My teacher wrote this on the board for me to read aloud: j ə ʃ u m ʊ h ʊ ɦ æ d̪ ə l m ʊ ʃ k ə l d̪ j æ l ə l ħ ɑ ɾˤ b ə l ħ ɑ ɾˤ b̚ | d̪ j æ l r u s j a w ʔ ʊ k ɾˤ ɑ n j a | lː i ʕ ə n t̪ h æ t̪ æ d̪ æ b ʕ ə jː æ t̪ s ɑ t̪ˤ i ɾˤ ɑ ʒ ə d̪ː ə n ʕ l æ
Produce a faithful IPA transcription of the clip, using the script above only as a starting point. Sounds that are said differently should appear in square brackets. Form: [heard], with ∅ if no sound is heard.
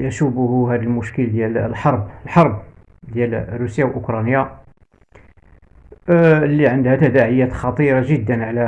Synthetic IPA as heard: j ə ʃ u [b] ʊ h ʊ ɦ æ d̪ ə l m ʊ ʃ k ə l d̪ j æ l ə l ħ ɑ ɾˤ b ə l ħ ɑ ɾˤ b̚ | d̪ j æ l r u s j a w ʔ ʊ k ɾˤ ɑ n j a | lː i ʕ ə n [d̪] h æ t̪ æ d̪ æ [∅] ʕ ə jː æ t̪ [x] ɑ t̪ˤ i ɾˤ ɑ ʒ ə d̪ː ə n ʕ l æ